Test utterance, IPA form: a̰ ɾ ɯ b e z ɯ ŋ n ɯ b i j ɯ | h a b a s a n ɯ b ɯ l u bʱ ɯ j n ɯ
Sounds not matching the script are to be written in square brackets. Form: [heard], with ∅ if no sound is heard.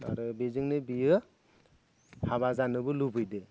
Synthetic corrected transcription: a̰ ɾ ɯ b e z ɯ ŋ n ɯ b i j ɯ | h a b a [z] a n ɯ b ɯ l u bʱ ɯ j [d] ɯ